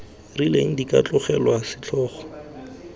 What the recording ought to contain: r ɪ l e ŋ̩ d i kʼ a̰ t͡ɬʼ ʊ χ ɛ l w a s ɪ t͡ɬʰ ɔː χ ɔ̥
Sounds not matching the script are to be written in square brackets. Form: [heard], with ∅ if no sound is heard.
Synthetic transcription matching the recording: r [i] l e ŋ̩ d i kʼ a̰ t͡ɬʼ ʊ χ ɛ l w a s ɪ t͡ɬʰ ɔː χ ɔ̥

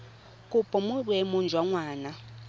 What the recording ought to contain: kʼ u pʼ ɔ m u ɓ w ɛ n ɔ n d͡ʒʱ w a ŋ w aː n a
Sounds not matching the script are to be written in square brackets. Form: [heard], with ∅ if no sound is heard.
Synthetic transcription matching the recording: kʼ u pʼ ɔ m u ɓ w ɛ [m] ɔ n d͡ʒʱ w a ŋ w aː n a

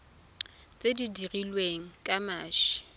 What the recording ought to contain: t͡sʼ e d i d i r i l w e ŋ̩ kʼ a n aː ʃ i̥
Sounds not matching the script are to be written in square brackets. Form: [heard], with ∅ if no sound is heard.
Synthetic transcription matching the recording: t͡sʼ e d i d i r i l w e ŋ̩ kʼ a [m] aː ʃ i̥

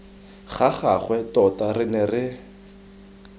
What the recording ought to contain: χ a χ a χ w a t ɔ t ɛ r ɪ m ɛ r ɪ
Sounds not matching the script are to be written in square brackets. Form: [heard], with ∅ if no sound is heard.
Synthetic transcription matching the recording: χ a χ a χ w [ɛ] t ɔ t [a] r ɪ [n] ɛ r ɪ

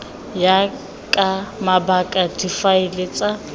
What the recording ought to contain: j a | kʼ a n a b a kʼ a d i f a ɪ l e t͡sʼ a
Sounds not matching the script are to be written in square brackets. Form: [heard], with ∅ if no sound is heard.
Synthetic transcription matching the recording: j a | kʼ a [m] a b a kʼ a d i f a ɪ l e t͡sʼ a

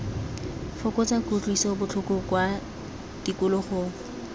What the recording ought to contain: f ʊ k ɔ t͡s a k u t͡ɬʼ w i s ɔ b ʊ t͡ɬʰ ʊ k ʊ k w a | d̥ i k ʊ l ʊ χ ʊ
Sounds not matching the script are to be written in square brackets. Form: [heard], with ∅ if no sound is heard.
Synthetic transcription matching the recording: f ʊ k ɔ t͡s a k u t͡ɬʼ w i s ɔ b ʊ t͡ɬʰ ʊ k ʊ k w a | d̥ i k ʊ l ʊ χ ʊ

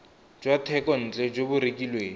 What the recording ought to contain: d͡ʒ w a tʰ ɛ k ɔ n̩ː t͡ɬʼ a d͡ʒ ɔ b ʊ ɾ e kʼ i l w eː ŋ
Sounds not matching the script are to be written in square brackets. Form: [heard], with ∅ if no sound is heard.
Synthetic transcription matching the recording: d͡ʒ w a tʰ ɛ k ɔ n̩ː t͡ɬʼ [ɛ] d͡ʒ [o] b ʊ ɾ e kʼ i l w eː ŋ

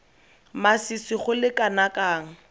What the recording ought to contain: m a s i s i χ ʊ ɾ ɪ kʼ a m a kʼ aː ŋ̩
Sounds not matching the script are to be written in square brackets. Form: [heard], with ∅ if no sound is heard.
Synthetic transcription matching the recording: m a s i s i χ ʊ [l] ɪ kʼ a [n] a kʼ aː ŋ̩

